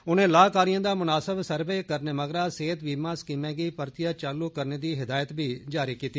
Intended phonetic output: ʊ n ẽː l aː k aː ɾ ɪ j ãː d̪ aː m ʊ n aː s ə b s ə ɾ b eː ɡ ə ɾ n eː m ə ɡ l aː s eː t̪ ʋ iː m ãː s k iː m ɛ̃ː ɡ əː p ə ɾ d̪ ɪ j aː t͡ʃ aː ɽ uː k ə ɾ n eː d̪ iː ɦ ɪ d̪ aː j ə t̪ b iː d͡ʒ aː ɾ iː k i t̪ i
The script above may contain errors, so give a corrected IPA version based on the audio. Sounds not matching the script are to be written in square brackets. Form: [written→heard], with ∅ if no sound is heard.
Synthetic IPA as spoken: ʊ n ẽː l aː k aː ɾ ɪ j ãː d̪ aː m ʊ n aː s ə b s ə ɾ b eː [ɡ→k] ə ɾ n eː m ə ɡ [l→ɾ] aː s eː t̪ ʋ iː m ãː s k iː m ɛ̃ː ɡ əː p ə ɾ [d̪→t̪] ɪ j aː t͡ʃ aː [ɽ→l] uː k ə ɾ n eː d̪ iː ɦ ɪ d̪ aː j ə t̪ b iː d͡ʒ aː ɾ iː k [i→iː] t̪ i